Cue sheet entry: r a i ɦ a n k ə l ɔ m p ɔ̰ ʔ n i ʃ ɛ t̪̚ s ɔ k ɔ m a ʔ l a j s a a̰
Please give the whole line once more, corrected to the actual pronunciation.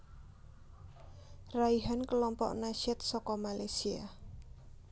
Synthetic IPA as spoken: r a i ɦ a n k ə l ɔ m p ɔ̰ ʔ n a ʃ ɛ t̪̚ s ɔ k ɔ m a l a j s i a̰